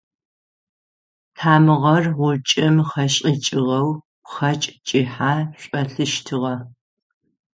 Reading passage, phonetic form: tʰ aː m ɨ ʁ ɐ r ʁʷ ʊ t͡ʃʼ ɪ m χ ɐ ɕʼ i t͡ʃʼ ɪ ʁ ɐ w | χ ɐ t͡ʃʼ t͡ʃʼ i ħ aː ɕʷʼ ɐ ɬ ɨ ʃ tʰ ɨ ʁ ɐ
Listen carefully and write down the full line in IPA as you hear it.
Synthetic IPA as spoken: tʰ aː m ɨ ʁ ɐ r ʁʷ ʊ t͡ʃʼ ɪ m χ ɐ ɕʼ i t͡ʃʼ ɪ ʁ ɐ w | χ ɐ t͡ʃʼ t͡ʃʼ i ħ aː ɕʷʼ ɐ ɬ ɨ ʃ tʰ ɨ ʁ ɐ